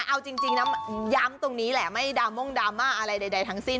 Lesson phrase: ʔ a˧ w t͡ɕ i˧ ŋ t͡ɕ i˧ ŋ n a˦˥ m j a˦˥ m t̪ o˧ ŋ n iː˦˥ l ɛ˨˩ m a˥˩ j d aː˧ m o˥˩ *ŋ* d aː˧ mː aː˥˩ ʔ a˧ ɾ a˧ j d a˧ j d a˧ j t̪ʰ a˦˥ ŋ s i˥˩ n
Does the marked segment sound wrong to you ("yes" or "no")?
no